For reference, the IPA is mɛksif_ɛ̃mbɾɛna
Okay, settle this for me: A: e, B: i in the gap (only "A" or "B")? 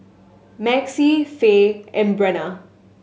A